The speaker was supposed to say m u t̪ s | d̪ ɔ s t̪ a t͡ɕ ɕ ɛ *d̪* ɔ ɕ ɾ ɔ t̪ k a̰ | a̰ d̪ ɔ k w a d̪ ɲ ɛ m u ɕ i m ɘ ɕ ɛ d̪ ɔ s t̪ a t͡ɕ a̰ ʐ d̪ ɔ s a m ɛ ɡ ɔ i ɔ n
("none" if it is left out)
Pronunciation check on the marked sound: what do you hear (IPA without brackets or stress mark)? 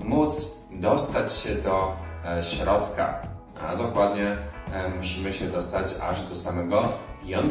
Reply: d̪